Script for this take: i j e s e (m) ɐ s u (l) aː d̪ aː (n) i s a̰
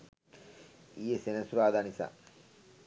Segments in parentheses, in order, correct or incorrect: incorrect: n, incorrect: ɾ, correct

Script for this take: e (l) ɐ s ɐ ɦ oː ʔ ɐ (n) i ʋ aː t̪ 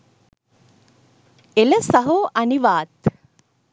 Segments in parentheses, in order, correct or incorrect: correct, correct

